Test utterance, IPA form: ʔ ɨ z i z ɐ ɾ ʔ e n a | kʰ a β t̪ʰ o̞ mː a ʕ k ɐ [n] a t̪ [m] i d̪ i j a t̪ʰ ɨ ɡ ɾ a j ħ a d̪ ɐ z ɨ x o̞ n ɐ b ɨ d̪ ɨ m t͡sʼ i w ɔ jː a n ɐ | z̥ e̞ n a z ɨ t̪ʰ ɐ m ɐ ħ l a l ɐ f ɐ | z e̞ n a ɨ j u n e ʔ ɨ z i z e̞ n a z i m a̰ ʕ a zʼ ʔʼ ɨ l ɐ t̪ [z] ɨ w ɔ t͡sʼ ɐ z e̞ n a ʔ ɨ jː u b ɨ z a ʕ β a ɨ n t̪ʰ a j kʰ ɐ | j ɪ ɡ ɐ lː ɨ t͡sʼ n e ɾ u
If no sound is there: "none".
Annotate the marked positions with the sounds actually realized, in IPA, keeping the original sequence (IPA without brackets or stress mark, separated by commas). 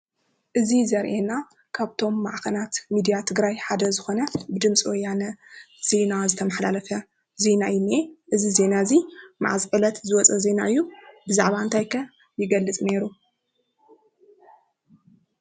n, m, z